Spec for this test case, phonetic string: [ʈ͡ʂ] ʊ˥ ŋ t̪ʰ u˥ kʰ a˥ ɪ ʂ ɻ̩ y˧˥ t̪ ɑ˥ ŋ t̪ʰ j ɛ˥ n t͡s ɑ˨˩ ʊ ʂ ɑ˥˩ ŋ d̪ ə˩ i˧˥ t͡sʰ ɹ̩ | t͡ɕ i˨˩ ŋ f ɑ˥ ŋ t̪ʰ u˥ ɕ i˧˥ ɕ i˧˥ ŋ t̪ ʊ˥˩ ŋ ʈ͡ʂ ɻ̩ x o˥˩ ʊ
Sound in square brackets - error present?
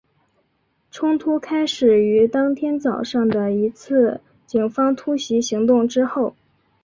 yes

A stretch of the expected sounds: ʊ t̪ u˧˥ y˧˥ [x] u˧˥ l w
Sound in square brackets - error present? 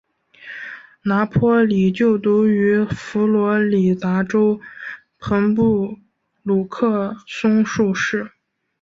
yes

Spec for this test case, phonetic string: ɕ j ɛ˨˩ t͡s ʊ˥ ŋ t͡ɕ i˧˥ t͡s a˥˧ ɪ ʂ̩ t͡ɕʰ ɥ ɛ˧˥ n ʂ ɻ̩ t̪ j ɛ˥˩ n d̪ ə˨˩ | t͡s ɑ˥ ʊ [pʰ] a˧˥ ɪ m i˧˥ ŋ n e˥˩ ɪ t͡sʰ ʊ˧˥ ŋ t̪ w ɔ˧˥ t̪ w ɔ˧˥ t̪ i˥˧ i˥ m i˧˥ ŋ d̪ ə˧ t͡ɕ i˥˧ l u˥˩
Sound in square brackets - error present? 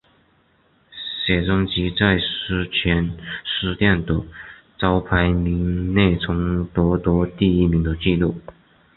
no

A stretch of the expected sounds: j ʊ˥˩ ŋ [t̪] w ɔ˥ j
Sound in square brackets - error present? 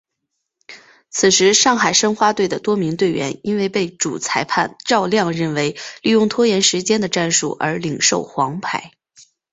yes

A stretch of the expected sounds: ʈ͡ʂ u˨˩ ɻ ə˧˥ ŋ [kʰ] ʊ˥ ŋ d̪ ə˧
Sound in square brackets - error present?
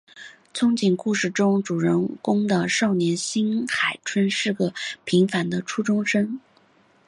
yes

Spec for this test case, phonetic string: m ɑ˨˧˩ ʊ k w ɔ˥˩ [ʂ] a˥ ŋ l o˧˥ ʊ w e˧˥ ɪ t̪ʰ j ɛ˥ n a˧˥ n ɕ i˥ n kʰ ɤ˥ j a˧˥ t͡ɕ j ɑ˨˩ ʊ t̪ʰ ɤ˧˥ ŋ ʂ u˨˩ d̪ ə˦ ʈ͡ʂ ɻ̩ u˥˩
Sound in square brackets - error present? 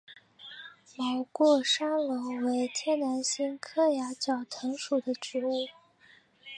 no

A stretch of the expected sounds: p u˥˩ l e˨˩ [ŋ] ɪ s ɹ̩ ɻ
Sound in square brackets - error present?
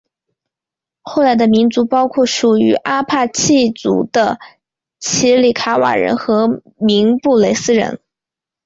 yes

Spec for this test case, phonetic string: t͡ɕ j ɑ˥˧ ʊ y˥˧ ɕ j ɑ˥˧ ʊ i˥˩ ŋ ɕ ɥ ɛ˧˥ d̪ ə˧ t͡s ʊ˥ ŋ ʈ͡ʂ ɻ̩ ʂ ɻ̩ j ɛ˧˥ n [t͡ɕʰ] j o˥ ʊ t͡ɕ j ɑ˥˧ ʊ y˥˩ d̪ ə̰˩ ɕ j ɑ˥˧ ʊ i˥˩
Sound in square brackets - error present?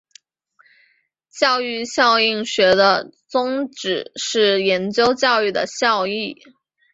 yes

